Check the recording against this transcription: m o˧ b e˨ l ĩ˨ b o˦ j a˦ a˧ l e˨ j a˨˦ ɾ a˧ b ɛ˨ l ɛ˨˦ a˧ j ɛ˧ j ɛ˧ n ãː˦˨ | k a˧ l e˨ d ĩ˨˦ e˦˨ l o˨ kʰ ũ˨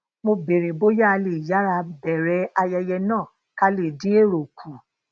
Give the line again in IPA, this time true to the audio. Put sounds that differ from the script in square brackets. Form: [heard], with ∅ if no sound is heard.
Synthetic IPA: m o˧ b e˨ [ɾ] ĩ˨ b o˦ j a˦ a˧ l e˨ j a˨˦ ɾ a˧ b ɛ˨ [ɾ] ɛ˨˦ a˧ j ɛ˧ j ɛ˧ n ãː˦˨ | k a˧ l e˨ d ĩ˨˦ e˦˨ [ɾ] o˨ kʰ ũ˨